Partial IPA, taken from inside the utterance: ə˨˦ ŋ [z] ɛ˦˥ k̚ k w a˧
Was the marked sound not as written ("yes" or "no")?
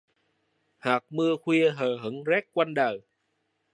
no